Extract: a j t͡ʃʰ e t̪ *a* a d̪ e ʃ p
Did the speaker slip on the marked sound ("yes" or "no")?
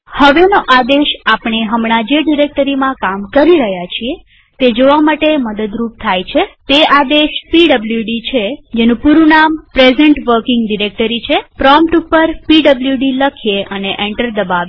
yes